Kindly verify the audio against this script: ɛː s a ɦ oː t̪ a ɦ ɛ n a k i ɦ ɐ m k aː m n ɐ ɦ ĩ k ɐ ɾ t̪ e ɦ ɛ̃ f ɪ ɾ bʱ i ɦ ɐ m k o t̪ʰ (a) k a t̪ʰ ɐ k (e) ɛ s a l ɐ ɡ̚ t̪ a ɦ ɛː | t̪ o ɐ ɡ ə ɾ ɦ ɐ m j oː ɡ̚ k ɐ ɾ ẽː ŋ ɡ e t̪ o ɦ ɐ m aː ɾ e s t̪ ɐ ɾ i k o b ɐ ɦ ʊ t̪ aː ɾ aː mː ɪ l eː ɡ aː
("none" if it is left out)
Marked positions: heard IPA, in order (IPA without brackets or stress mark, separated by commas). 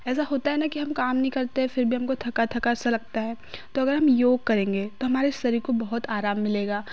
ɐ, a